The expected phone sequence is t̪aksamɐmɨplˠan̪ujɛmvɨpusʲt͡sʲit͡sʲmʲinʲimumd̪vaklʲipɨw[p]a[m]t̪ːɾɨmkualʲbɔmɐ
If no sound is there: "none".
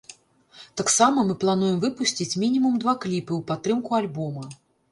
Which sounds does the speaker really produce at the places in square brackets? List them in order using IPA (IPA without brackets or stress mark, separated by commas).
p, none